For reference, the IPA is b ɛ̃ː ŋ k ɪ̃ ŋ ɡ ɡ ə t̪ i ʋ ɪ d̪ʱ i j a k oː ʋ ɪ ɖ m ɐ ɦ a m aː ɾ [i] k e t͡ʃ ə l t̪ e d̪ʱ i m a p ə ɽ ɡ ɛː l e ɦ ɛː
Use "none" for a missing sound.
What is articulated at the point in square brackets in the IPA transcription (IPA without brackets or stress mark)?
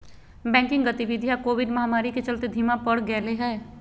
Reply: i